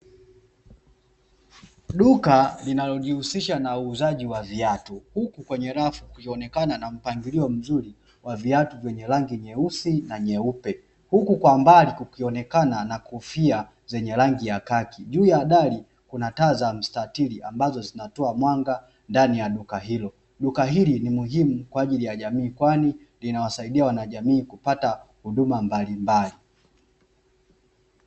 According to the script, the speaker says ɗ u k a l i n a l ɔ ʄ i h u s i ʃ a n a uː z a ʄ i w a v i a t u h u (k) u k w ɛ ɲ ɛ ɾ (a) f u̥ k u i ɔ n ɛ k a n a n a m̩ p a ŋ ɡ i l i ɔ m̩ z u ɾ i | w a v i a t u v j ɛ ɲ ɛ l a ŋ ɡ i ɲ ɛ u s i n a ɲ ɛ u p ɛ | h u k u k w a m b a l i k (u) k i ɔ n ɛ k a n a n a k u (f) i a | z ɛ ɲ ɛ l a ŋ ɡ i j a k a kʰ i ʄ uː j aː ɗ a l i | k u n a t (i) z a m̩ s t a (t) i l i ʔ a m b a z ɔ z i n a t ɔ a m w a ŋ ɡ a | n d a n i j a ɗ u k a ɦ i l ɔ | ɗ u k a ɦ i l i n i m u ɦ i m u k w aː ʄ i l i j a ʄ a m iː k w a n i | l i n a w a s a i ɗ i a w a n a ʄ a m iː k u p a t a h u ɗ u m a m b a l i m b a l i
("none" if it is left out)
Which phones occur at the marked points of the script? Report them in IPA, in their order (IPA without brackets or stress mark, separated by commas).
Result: k, a, u, f, a, t